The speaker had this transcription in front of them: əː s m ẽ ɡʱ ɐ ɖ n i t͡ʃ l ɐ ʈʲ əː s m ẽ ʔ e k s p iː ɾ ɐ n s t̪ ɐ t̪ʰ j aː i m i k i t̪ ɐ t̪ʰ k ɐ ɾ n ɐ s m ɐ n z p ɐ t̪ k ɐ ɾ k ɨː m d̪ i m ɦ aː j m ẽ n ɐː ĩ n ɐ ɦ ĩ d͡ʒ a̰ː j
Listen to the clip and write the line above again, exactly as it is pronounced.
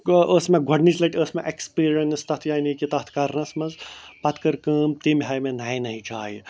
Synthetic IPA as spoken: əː s m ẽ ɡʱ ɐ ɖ n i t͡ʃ l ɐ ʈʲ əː s m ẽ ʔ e k s p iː ɾ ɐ n s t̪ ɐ t̪ʰ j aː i n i k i t̪ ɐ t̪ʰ k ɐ ɾ n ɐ s m ɐ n z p ɐ t̪ k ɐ ɾ k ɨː m t̪ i m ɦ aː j m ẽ n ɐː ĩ n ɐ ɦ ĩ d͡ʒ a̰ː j